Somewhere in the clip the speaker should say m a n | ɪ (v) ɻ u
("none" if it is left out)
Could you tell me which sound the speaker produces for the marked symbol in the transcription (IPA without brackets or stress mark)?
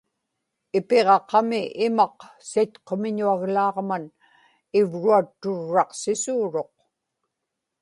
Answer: v